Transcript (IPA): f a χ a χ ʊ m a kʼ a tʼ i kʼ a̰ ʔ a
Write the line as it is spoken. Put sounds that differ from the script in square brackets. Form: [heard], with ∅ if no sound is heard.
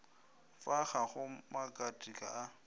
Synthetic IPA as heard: f a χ a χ ʊ m a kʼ a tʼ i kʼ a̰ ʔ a